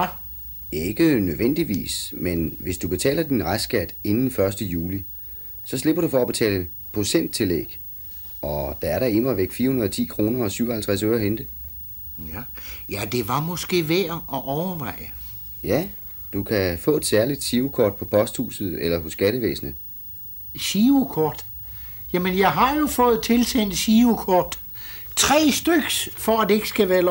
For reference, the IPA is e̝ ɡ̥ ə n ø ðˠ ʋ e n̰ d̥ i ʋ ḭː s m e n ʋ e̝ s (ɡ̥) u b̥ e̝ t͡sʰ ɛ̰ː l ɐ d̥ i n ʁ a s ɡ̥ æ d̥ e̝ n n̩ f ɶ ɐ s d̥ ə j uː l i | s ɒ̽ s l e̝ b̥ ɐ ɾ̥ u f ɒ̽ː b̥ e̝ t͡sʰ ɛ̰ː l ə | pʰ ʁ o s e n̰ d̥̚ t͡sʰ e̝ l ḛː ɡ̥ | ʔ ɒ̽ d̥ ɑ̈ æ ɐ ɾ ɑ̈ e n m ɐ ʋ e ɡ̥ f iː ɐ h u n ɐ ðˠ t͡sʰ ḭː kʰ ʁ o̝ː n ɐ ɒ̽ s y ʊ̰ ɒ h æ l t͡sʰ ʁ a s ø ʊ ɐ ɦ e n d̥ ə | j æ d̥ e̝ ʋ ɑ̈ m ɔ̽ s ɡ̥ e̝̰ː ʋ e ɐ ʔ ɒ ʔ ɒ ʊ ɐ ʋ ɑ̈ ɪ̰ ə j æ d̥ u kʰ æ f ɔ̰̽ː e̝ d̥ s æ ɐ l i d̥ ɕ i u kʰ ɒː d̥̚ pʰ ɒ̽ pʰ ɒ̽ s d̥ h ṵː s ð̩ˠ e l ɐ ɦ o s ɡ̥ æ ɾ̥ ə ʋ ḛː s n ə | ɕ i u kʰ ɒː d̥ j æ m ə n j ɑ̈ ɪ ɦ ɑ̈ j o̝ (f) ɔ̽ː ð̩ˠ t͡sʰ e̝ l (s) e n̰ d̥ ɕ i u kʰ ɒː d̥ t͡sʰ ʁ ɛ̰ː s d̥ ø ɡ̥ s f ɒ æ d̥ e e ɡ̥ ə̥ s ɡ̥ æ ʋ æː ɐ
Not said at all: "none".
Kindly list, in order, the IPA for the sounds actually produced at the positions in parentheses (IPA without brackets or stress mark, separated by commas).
d̥, f, s